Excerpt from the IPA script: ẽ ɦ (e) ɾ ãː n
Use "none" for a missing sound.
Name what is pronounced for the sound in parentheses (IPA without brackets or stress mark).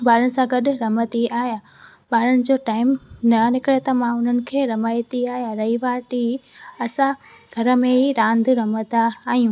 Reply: i